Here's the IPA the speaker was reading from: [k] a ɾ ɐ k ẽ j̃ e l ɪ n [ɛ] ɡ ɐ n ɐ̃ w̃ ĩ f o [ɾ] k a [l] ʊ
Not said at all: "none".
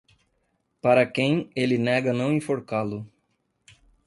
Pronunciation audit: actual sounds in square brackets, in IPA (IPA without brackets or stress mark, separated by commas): p, ɛ, ɾ, l